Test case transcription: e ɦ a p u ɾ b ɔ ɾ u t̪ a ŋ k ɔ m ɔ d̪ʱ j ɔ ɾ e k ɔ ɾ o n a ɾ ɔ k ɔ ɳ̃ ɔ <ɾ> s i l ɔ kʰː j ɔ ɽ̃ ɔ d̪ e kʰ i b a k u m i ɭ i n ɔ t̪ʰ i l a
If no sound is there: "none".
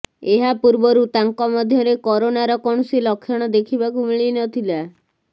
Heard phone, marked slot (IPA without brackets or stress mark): none